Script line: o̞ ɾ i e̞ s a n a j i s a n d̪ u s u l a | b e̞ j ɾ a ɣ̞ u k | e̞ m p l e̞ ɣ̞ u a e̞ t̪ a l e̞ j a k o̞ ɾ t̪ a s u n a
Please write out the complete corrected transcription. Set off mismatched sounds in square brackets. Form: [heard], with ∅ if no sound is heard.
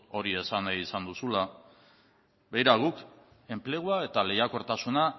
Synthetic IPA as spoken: o̞ ɾ i e̞ s a n a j i s a n d̪ u s u l a | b e̞ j ɾ a ɣ̞ u k | e̞ m p l e̞ ɣ̞ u a e̞ t̪ a l e̞ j a k o̞ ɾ t̪ a s u n a